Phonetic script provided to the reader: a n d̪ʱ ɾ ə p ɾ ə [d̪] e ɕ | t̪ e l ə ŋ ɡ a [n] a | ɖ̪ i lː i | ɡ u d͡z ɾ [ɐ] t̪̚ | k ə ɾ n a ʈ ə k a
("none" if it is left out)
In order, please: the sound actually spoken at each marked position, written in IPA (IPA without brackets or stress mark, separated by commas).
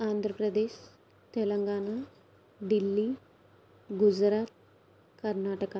d̪, n, a